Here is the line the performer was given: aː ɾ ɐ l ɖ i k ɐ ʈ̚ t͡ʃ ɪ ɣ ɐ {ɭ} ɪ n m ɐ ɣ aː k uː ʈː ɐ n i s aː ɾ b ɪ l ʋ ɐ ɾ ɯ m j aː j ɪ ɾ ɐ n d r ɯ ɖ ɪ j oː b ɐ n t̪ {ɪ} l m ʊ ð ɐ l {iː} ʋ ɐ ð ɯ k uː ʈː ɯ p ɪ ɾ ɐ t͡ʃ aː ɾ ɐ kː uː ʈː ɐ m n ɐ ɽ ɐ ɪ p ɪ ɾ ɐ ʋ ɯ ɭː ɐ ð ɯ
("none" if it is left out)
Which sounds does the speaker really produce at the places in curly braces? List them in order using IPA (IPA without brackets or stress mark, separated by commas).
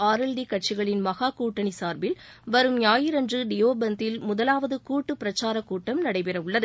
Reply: ɭ, ɪ, aː